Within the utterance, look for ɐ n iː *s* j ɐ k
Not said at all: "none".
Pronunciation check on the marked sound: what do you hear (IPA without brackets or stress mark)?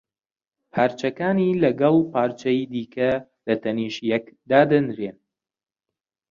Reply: ʃ